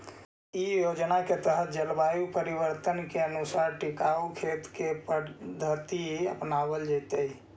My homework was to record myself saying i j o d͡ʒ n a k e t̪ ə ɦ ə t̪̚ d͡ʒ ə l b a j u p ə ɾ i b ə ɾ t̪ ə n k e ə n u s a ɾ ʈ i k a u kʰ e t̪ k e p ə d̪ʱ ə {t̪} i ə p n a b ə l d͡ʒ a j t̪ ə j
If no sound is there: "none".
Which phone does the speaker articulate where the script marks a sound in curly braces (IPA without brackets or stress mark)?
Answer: t̪